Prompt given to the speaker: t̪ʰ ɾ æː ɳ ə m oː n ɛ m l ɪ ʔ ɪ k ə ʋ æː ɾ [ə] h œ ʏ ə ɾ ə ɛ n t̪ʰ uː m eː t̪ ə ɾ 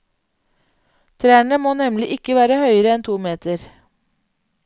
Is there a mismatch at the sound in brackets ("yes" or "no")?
no